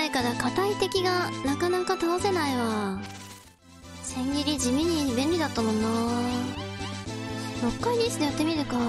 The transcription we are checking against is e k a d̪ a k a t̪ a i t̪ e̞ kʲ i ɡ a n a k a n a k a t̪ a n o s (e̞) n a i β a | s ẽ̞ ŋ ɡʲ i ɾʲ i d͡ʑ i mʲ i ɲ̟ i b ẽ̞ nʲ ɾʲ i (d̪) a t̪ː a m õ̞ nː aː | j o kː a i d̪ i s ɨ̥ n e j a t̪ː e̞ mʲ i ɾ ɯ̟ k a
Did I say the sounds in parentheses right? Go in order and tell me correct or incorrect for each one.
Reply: correct, correct

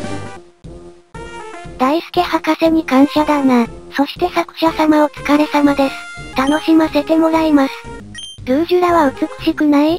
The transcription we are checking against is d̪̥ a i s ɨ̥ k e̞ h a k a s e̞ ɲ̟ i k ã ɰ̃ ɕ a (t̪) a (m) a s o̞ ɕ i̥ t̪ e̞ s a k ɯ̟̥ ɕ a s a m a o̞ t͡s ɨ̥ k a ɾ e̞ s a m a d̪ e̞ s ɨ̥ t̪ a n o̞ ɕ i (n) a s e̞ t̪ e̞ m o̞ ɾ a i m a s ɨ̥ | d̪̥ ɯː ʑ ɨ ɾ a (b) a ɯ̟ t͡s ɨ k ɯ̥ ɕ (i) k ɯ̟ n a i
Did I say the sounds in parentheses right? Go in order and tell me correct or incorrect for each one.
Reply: incorrect: d̪, incorrect: n, incorrect: m, incorrect: β, correct

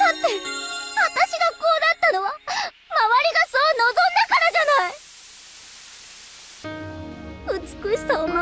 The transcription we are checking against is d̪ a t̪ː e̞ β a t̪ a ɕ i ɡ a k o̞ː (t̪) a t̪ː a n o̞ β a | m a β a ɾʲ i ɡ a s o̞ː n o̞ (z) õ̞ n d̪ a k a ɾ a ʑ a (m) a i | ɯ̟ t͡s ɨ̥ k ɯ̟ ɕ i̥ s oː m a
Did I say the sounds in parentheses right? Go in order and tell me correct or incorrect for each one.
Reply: incorrect: d̪, correct, incorrect: n

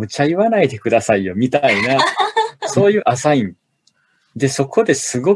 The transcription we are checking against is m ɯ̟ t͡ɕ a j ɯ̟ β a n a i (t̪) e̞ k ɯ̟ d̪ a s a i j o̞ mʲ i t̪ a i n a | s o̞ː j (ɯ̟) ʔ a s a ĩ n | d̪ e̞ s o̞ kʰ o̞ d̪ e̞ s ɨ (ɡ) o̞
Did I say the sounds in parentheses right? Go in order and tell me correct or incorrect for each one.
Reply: incorrect: d̪, incorrect: ɯ̟ː, correct

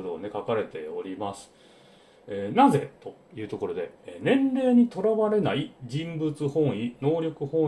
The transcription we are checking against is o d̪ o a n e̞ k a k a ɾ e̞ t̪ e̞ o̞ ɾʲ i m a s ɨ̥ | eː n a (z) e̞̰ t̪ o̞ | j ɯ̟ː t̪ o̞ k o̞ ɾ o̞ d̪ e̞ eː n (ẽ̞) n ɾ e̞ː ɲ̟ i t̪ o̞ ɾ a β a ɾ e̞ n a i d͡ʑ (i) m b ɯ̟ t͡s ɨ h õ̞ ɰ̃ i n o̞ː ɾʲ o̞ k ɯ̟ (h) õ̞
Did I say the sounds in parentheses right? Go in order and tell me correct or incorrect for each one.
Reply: correct, correct, incorrect: ĩ, correct

